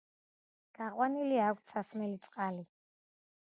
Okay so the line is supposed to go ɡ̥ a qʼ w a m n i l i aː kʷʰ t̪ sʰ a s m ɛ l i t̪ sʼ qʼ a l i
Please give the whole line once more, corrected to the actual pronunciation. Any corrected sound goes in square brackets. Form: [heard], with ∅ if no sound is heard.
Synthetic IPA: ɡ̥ a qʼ w a [∅] n i l i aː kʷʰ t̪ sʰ a s m ɛ l i t̪ sʼ qʼ a l i